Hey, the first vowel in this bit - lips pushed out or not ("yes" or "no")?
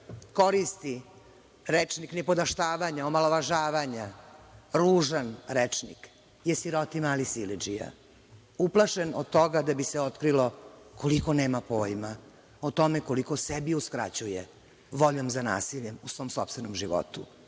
yes